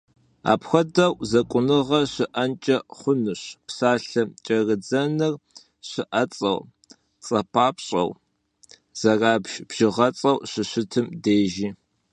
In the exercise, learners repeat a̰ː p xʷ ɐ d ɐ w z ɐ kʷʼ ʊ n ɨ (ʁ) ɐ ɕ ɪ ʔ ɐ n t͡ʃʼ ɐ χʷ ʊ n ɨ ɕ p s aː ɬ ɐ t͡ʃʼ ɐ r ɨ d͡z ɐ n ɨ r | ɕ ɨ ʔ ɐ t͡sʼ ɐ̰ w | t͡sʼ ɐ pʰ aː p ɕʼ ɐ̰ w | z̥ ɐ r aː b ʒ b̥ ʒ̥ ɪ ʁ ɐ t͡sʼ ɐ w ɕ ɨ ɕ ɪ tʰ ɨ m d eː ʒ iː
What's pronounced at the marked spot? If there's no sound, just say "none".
ʁ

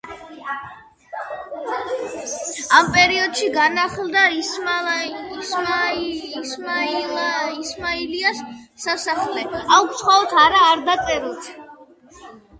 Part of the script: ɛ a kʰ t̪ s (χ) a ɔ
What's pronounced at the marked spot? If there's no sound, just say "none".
χ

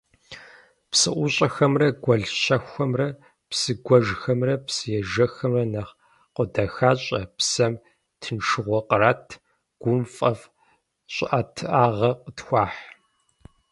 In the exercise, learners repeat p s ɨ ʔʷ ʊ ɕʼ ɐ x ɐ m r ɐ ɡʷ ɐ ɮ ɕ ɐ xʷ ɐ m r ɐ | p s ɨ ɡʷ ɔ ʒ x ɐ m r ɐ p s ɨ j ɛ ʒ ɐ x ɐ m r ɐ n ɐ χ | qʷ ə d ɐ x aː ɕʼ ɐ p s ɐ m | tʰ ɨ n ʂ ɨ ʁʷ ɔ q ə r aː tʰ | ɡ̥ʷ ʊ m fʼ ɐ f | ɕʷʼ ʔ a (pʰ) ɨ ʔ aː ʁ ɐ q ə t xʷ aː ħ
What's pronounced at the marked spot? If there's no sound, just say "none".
tʰ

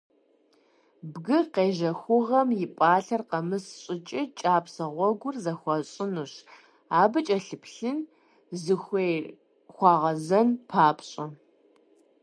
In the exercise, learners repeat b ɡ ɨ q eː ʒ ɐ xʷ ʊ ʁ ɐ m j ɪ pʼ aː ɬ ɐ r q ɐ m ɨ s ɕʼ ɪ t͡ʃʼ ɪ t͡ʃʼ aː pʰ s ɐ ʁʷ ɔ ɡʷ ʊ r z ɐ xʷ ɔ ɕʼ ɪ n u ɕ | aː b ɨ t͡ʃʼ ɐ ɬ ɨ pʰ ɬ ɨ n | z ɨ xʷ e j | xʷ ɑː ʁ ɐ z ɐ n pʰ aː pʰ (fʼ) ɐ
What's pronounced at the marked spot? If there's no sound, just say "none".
ɕʼ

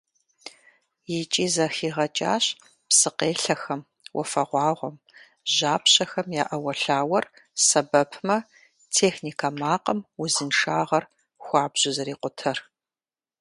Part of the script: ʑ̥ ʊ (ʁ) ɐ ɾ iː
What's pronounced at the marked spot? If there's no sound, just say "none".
z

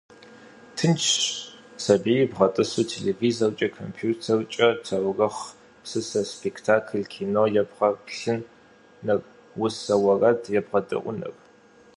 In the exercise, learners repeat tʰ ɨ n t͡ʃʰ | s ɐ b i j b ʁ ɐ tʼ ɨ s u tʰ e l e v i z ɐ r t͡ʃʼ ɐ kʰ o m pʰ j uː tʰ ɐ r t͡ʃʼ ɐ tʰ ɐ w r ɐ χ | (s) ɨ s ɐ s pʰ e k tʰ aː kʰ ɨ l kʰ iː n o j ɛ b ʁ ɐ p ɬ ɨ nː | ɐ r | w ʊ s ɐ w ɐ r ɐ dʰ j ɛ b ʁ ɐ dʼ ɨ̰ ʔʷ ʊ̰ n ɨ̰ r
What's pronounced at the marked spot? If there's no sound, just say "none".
s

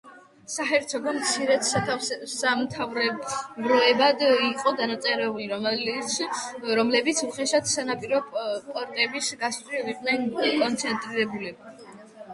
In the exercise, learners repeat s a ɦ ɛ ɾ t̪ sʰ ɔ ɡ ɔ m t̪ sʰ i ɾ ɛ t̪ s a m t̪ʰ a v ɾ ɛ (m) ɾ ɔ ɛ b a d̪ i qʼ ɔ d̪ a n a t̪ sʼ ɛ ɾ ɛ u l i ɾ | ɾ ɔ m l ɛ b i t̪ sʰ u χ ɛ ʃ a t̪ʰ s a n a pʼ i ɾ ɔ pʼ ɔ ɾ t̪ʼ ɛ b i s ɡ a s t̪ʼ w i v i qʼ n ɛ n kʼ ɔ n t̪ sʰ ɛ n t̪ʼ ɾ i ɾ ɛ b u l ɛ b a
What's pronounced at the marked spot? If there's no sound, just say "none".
b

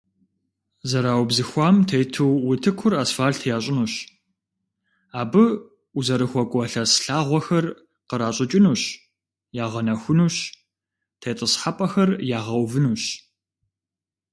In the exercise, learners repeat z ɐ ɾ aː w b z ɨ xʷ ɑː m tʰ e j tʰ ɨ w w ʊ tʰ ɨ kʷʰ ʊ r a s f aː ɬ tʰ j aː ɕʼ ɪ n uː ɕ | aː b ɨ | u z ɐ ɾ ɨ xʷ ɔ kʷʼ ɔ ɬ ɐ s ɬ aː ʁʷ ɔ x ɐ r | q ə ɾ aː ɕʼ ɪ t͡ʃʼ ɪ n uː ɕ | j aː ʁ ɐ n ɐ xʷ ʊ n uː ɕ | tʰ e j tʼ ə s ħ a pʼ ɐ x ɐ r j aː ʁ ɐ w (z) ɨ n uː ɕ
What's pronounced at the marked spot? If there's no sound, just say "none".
v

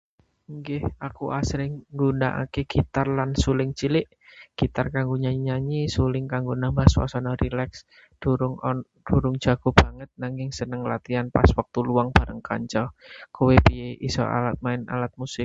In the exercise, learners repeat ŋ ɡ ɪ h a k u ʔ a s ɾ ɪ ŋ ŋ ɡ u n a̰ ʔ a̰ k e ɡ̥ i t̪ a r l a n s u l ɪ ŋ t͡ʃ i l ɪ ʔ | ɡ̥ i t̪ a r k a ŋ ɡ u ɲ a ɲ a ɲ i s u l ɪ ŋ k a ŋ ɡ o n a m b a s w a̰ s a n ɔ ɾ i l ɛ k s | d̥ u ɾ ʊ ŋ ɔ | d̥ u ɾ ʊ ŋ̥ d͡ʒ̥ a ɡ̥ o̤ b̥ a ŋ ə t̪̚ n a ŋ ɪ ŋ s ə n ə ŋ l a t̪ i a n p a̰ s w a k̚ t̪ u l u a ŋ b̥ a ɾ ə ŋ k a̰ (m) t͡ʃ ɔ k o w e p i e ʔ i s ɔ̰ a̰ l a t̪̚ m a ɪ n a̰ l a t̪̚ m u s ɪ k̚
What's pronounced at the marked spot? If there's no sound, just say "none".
ɲ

